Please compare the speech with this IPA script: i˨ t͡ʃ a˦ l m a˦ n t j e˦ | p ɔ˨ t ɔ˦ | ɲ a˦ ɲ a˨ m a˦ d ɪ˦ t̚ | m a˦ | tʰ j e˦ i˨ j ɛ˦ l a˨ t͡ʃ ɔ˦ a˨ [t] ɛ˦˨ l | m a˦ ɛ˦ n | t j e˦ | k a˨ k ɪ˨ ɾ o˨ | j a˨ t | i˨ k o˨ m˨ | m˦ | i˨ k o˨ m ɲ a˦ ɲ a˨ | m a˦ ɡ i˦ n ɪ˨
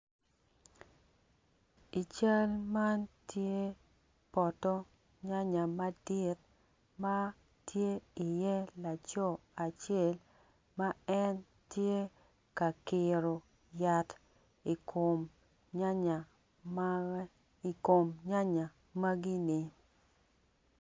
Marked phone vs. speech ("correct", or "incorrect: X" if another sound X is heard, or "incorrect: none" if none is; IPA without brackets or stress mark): incorrect: t͡ʃ